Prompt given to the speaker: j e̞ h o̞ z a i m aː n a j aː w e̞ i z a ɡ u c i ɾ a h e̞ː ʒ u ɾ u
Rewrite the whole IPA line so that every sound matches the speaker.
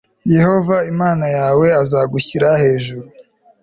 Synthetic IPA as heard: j e̞ h o̞ v a i m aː n a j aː w e̞ a z a ɡ u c i ɾ a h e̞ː ʒ u ɾ u